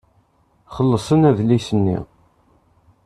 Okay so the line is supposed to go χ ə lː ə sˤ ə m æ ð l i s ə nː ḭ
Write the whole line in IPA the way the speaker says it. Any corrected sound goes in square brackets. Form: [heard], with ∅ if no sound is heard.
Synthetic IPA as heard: χ ə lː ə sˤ ə [n] æ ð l i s ə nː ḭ